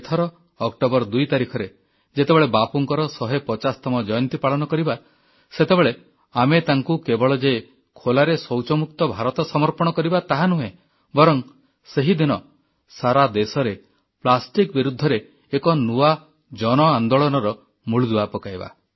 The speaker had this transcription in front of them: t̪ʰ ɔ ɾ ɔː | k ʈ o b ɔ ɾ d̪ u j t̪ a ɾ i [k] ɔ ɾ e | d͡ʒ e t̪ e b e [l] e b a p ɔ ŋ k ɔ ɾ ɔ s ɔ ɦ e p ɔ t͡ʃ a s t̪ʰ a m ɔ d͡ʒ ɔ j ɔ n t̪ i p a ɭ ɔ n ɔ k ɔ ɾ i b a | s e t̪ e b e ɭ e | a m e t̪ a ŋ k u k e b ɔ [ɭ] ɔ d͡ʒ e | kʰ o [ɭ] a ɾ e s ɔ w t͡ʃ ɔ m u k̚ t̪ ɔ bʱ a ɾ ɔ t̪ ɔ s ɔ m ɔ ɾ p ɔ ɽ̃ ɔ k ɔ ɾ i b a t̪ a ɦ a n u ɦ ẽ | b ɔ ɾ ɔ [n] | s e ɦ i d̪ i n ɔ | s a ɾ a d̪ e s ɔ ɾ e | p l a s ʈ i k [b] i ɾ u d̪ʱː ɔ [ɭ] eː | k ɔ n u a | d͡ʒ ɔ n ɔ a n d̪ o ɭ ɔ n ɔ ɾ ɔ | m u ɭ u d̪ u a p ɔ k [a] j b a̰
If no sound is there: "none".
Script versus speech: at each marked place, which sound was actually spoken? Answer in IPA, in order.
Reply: kʰ, ɭ, ɭ, l, ŋ, b, ɾ, a

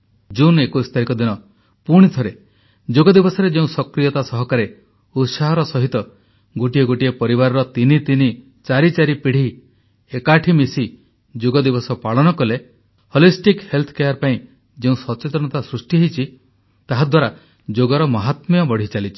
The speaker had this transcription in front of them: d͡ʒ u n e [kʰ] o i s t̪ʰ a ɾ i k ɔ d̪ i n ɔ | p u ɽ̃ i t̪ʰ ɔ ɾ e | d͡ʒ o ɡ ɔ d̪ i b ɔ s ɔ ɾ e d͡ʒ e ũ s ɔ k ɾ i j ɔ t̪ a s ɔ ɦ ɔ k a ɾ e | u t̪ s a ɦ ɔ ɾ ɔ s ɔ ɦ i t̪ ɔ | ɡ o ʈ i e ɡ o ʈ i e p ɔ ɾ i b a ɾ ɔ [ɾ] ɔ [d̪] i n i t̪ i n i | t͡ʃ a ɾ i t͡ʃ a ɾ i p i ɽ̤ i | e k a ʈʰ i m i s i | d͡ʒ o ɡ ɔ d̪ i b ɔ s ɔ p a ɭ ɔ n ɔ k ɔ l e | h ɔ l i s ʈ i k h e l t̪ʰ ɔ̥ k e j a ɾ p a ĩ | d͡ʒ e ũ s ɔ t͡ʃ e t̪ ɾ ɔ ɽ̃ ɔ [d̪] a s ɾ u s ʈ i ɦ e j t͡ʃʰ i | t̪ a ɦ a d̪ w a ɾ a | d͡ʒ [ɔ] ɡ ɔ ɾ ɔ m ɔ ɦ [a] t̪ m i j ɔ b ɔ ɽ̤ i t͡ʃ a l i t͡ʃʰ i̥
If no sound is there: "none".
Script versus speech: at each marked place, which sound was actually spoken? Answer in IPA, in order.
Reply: k, ɾ, t̪, t̪, o, a

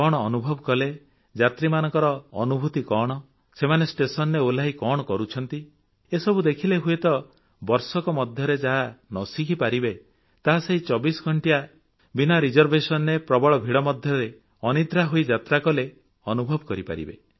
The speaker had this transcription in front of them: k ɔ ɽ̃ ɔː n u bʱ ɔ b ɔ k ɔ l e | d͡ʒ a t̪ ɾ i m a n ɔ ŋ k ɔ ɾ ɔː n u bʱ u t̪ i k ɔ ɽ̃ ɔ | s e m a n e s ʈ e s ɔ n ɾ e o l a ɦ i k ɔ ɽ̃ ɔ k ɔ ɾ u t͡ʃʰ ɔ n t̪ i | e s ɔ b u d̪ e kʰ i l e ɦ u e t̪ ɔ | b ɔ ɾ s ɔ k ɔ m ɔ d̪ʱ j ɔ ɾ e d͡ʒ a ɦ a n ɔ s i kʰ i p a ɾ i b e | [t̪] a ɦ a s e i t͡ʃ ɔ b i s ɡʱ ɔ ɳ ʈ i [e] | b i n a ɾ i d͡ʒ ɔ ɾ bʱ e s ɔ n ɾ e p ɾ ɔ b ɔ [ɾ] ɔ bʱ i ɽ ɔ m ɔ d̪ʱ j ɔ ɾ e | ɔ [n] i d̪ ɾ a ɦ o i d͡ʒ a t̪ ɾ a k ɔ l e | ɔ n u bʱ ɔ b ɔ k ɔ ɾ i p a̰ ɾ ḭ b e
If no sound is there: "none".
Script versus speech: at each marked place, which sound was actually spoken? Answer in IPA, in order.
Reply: t̪, a, ɭ, n

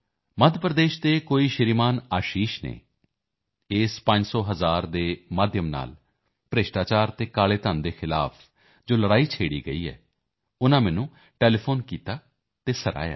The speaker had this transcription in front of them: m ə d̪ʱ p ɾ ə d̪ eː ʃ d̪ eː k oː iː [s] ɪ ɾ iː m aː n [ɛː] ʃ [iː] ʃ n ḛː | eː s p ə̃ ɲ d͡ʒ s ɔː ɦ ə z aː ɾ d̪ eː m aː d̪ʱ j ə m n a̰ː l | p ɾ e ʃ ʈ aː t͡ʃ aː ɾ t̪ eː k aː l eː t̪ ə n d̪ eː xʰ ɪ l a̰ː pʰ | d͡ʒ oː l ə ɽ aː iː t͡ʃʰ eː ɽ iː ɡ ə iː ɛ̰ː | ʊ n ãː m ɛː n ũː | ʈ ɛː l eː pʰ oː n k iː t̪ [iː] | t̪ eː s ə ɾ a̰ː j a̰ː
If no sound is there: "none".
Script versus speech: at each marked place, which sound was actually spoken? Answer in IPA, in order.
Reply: ʃ, aː, iː, aː

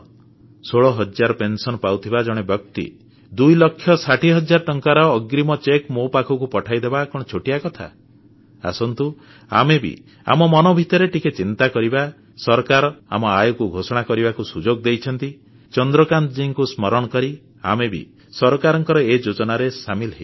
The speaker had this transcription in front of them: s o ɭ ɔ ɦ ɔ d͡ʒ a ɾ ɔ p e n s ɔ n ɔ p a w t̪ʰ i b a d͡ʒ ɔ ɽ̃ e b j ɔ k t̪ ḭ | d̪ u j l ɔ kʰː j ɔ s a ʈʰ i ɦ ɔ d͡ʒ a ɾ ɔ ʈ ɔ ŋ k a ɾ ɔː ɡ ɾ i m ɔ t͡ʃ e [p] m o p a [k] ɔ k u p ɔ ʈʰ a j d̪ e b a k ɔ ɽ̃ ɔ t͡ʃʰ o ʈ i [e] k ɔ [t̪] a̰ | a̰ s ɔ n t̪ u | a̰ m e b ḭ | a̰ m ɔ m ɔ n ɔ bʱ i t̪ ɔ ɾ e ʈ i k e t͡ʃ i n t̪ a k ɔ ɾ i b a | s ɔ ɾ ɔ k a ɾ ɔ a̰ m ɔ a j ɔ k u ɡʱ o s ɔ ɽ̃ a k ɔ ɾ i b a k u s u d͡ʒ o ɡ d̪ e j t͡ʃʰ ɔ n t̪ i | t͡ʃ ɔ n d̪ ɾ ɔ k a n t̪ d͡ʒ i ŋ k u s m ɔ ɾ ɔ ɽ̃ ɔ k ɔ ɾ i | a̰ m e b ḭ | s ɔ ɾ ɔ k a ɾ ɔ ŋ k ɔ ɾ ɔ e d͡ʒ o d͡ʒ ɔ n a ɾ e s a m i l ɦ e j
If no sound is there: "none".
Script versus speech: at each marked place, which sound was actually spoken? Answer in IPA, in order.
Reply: k, kʰ, a, t̪ʰ

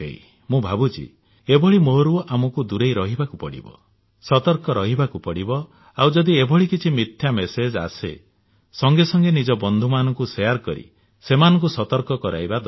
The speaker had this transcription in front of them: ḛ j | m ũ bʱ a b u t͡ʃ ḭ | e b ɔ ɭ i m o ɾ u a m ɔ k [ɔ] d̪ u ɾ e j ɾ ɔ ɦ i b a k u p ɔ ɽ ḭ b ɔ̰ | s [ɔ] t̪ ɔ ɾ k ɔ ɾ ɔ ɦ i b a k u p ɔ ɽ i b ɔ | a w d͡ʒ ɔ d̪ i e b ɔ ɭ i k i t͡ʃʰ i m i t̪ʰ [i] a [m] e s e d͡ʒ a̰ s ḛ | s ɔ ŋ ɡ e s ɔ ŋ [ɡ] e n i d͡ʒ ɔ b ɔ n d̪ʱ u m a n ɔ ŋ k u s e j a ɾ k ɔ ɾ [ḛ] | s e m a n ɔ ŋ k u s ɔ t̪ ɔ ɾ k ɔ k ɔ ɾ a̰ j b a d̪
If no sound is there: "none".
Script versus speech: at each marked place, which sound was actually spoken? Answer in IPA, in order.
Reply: u, ɔ, j, m, ɡ, ḭ

